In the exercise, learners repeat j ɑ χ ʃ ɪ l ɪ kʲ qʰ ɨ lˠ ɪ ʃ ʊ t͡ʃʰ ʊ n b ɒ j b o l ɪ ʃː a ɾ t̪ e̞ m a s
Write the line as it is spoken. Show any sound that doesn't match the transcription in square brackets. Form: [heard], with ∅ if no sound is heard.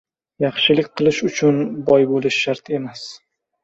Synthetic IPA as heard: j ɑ χ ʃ ɪ l ɪ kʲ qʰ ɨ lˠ ɪ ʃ ʊ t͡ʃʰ ʊ n b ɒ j b o l ɪ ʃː a ɾ t̪ e̞ m a s

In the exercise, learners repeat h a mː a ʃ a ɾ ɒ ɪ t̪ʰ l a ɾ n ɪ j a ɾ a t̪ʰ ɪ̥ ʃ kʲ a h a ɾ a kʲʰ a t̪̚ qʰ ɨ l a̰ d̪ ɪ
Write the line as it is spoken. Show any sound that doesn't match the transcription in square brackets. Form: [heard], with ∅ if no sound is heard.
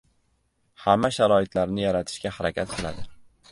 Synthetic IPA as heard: h a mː a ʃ a ɾ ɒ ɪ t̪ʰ l a ɾ n ɪ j a ɾ a t̪ʰ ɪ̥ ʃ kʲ a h a ɾ a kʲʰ a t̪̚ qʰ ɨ l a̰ d̪ ɪ

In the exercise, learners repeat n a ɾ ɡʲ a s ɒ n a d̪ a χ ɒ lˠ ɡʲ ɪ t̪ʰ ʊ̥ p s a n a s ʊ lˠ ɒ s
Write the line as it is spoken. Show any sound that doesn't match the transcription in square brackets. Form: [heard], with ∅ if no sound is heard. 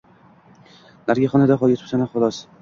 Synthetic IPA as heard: n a ɾ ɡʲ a [χ] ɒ n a d̪ a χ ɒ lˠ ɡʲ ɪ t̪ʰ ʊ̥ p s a n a [χ] ʊ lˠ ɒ s

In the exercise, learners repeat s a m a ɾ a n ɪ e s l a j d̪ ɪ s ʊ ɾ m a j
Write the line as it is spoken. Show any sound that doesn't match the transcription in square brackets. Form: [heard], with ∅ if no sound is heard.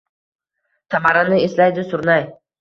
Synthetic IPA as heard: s a m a ɾ a n ɪ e s l a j d̪ ɪ s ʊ ɾ [n] a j

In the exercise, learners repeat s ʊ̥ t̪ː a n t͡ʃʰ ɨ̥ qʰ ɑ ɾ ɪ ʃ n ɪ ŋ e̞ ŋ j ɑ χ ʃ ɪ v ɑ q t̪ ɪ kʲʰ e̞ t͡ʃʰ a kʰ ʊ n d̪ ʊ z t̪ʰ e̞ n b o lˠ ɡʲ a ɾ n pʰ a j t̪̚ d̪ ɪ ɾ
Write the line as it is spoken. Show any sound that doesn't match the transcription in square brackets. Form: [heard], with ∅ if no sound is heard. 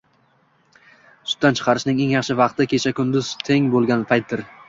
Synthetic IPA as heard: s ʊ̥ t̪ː a n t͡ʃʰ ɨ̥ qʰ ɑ ɾ ɪ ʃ n ɪ ŋ e̞ ŋ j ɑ χ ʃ ɪ v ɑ q t̪ ɪ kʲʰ e̞ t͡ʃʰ a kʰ ʊ n d̪ ʊ z t̪ʰ e̞ [ŋ] b o lˠ ɡʲ a [∅] n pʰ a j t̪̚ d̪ ɪ ɾ

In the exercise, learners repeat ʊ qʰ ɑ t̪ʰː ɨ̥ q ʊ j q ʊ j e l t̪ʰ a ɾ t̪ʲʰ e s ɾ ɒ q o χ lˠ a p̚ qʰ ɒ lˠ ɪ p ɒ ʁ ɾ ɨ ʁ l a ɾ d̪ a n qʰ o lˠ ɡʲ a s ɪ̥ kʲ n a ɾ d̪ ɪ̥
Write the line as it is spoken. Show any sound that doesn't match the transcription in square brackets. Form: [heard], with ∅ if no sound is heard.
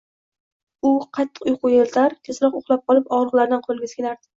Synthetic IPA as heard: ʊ qʰ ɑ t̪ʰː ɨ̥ q ʊ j q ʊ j e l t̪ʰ a ɾ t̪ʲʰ e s ɾ ɒ q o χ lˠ a p̚ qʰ ɒ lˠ ɪ p ɒ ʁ ɾ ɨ ʁ l a ɾ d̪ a n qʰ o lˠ ɡʲ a s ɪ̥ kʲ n a ɾ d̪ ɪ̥

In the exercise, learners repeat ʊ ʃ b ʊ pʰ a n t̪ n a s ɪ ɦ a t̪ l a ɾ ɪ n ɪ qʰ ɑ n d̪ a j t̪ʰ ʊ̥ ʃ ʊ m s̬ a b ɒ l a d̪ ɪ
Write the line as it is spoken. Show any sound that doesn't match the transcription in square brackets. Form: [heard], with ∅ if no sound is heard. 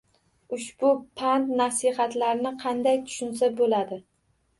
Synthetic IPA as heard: ʊ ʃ b ʊ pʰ a n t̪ n a s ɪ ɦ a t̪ l a ɾ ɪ n ɪ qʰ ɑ n d̪ a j t̪ʰ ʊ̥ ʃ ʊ [n] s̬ a b [o] l a d̪ ɪ

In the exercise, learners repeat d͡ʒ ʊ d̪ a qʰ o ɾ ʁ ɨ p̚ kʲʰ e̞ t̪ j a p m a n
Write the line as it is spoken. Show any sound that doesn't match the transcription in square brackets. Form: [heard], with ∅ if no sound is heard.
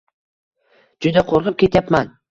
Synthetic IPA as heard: d͡ʒ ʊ d̪ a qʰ o ɾ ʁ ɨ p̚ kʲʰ e̞ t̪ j a p m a n

